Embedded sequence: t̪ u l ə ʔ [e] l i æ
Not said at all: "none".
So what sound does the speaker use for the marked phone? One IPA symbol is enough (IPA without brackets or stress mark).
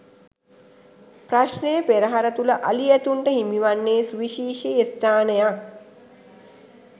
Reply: a